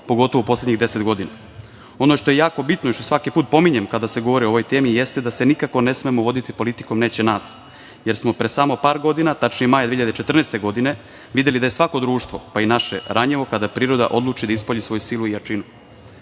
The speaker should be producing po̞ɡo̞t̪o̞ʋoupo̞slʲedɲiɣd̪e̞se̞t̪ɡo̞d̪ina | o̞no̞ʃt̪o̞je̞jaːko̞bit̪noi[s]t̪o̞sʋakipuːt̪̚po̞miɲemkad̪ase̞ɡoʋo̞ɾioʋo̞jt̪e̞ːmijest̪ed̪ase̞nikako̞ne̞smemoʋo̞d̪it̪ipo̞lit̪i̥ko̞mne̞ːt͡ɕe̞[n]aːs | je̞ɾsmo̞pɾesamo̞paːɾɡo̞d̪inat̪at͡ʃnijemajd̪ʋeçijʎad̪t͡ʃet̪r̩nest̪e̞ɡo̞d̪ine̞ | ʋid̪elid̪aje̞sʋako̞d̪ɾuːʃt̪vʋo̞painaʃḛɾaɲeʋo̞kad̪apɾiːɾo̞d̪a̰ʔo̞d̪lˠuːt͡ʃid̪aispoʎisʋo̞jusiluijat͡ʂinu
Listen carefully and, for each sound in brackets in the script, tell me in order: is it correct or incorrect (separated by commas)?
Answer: incorrect, correct